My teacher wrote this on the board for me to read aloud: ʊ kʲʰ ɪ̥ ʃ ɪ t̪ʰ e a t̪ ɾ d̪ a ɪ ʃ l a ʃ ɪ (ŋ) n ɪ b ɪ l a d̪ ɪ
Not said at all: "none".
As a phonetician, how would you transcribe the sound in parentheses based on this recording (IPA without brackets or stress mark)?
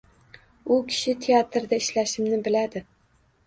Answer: m